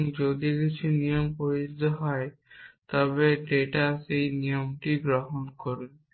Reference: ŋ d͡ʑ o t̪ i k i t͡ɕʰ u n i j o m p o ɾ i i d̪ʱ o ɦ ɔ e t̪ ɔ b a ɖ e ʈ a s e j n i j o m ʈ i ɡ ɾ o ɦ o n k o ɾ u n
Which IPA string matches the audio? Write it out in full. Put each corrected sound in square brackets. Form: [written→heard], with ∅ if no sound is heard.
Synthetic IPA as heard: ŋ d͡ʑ o [t̪→d̪] i k i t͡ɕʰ u n i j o m p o ɾ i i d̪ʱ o ɦ ɔ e t̪ ɔ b [a→e] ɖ e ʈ a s e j n i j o m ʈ i ɡ ɾ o ɦ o n k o ɾ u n